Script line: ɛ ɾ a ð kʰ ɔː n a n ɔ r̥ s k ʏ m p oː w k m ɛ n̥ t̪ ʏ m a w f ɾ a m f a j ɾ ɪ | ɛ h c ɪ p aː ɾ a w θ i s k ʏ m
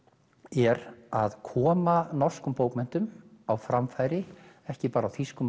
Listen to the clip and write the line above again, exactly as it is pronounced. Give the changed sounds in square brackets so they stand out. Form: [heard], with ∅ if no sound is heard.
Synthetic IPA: ɛ ɾ a ð kʰ ɔː [m] a n ɔ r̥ s k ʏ m p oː w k m ɛ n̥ t̪ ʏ m a w f ɾ a m f a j ɾ ɪ | ɛ h c ɪ p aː ɾ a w θ i s k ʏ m